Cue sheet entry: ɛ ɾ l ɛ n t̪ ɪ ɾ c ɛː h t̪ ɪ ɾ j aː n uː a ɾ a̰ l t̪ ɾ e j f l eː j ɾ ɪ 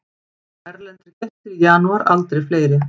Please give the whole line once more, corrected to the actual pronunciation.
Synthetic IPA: ɛ ɾ l ɛ n t̪ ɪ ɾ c ɛ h t̪ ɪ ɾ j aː n u a ɾ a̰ l t̪ ɾ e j f l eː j ɾ ɪ